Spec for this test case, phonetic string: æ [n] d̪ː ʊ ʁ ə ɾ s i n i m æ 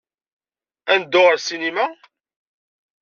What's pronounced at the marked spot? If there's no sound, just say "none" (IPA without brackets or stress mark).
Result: n